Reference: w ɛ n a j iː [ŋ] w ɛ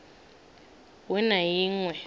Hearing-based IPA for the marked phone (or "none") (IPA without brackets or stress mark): ŋ